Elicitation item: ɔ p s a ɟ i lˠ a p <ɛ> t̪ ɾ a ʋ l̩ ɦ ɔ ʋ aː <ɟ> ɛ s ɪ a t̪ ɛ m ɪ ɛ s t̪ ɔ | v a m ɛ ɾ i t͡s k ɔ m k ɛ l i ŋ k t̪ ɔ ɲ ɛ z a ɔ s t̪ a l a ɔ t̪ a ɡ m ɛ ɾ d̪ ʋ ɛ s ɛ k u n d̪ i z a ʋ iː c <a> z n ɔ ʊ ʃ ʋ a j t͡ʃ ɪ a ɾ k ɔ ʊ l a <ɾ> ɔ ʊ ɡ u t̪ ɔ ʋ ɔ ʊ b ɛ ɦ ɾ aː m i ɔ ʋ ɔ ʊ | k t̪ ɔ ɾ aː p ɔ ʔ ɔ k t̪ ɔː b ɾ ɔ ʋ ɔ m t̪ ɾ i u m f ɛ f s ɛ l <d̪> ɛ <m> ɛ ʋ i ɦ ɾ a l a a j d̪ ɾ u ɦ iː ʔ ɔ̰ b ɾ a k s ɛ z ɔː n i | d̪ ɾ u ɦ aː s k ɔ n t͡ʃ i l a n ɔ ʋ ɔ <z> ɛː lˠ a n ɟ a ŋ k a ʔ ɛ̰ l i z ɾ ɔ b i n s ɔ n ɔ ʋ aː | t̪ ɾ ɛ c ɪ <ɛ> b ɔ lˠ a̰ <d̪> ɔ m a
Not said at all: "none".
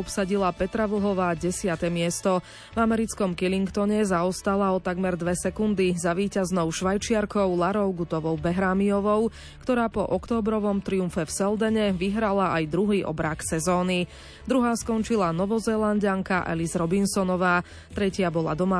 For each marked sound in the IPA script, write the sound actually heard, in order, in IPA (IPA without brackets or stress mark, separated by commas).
ɛ, ɟ, a, ɾ, d̪, ɲ, z, a, d̪